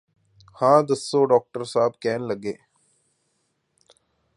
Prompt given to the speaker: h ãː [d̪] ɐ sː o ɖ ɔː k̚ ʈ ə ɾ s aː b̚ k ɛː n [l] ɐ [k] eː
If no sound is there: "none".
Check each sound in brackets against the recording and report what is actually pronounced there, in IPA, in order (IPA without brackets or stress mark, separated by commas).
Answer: d̪, l, ɡ